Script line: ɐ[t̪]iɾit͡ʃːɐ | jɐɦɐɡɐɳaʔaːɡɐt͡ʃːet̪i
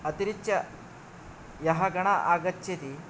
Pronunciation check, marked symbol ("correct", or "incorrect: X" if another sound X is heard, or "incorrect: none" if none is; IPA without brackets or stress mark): correct